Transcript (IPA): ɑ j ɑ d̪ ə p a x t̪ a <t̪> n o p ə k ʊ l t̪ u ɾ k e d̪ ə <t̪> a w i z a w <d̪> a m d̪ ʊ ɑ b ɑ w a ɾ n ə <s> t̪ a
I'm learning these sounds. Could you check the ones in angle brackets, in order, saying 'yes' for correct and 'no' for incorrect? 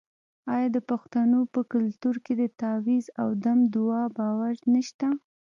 no, yes, yes, no

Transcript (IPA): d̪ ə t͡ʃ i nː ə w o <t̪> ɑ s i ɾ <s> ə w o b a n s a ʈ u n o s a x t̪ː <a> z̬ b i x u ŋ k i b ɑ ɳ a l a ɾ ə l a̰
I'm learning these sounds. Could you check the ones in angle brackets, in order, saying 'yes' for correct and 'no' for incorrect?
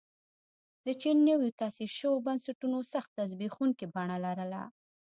yes, no, yes

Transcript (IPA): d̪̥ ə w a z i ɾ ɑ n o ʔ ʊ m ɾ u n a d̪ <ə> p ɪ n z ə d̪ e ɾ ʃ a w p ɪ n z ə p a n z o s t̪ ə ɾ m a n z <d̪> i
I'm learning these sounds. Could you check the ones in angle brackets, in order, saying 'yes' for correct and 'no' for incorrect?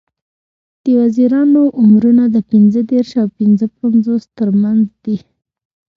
yes, yes

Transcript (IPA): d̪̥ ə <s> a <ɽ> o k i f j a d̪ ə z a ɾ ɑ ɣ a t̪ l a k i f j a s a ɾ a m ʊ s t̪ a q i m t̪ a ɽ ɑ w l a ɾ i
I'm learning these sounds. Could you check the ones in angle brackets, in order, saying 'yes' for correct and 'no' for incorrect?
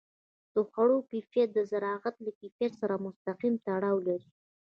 no, yes

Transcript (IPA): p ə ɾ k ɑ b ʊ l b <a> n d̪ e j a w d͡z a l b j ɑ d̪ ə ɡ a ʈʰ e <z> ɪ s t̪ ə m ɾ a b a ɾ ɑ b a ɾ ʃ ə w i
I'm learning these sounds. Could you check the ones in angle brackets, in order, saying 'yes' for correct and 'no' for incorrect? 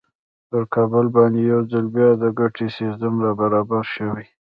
no, no

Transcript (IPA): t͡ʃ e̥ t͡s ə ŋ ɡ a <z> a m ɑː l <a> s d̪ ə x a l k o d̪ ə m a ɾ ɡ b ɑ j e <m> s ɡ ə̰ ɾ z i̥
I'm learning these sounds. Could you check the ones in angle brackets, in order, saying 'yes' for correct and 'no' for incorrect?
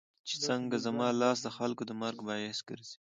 yes, no, no

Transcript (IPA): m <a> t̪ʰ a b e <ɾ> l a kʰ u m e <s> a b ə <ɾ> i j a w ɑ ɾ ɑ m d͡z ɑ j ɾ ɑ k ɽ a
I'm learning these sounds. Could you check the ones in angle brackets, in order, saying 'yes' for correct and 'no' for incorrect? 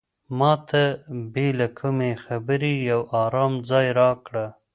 no, no, no, yes

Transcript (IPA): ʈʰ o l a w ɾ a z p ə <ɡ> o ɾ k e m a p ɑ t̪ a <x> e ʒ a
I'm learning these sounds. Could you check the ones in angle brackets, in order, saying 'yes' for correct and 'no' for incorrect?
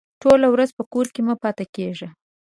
no, no

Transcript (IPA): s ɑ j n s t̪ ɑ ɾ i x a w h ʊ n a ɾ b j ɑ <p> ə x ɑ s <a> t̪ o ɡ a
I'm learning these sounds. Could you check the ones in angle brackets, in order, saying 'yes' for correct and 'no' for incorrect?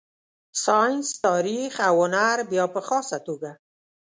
yes, yes

